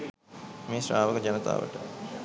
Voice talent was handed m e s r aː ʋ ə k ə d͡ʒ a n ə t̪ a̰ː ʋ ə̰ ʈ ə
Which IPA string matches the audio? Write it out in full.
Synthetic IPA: m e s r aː ʋ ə k ə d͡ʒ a n ə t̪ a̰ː ʋ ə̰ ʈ ə